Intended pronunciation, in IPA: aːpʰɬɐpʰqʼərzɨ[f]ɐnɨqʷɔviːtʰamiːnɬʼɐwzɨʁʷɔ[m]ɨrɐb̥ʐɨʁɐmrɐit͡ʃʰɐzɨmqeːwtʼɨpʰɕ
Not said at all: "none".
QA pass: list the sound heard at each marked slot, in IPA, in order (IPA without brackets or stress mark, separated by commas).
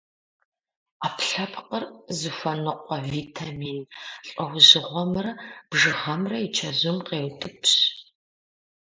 f, m